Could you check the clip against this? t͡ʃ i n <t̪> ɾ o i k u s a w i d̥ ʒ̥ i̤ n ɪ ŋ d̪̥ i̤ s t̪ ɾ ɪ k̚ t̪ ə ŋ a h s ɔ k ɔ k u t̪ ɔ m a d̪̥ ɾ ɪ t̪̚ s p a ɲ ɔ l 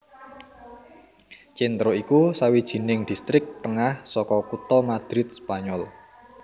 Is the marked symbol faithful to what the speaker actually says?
yes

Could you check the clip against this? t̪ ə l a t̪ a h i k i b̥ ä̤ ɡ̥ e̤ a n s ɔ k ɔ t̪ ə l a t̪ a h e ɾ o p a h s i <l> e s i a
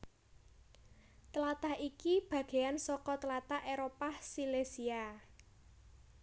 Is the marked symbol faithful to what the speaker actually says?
yes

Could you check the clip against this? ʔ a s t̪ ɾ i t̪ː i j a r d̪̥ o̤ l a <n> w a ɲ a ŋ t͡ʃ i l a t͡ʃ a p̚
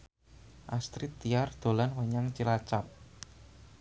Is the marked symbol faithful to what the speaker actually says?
yes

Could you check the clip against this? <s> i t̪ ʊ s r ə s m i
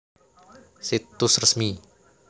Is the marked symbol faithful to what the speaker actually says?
yes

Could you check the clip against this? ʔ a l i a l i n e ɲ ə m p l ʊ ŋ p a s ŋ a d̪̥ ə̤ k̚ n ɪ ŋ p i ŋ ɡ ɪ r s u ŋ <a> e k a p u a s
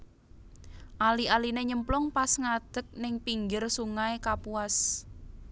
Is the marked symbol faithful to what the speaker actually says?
yes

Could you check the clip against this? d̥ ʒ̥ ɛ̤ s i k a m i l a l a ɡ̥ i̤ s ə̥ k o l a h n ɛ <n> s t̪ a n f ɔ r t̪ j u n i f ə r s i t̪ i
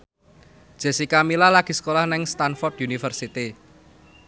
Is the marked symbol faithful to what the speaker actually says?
no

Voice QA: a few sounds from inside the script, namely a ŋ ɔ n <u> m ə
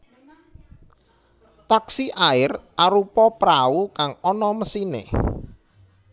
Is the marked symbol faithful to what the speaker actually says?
no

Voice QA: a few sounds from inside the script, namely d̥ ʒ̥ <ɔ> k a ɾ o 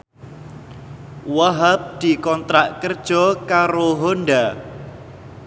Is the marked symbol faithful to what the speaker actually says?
yes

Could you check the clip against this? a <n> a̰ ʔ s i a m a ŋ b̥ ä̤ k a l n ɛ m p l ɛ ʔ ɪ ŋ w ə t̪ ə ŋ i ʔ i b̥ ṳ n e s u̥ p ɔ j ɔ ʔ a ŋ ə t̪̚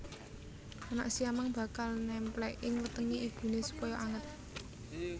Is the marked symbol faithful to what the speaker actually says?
yes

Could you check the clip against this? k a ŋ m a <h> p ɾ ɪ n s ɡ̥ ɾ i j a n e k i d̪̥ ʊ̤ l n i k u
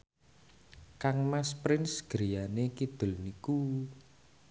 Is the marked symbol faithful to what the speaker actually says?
no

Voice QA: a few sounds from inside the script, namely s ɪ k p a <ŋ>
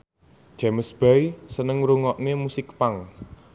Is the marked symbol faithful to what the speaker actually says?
yes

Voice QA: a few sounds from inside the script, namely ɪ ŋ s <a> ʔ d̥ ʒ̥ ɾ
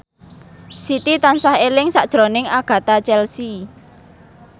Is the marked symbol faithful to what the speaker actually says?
yes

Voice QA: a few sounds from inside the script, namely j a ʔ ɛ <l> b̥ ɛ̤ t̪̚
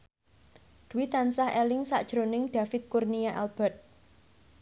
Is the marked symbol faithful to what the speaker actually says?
yes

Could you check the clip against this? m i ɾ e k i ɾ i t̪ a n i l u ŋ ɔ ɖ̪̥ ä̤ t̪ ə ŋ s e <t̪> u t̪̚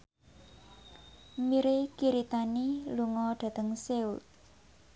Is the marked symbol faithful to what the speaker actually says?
no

